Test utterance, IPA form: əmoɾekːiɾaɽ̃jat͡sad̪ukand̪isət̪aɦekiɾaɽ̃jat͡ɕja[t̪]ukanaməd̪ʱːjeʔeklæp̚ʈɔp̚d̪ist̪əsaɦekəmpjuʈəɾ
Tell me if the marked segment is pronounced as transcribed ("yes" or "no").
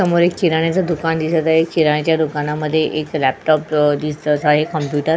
no